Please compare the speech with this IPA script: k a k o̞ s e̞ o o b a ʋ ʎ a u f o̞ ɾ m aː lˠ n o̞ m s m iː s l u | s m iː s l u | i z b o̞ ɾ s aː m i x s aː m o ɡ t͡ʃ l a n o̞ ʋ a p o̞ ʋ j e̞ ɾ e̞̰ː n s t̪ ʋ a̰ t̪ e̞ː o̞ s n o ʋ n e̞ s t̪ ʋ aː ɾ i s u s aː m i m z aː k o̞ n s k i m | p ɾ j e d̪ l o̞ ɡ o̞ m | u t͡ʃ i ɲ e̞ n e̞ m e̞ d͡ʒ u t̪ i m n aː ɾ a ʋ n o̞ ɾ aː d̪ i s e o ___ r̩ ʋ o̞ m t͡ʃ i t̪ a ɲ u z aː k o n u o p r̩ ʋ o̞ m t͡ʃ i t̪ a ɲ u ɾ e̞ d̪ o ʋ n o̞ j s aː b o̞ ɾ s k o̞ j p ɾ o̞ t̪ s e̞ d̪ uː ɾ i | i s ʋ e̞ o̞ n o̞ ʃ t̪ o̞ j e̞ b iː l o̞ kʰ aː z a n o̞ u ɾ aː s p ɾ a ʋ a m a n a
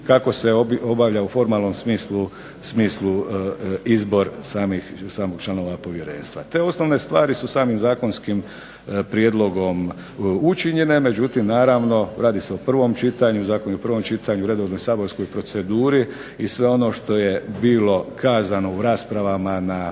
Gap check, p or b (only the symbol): p